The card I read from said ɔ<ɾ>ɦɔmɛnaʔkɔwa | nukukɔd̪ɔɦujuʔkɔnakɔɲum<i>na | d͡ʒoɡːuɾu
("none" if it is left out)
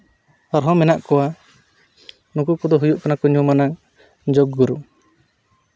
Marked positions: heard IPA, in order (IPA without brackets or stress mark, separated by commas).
ɾ, a